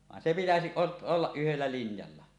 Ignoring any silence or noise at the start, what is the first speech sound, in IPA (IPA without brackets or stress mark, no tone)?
ʋ